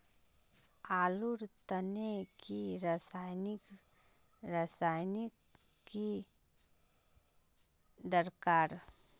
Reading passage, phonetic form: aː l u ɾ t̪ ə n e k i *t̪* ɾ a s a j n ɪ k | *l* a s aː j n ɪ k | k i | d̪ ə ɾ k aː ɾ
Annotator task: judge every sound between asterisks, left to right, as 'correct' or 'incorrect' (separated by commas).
incorrect, incorrect